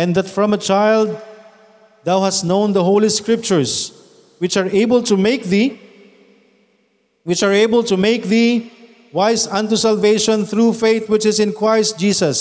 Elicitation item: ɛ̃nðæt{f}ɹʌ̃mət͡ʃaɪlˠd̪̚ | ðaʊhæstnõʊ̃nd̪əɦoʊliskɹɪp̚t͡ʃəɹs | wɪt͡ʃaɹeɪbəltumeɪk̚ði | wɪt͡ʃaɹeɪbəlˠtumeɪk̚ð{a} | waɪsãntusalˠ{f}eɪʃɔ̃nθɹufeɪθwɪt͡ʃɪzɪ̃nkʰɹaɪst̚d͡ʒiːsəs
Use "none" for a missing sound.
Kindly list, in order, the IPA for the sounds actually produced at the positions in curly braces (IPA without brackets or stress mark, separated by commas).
f, i, v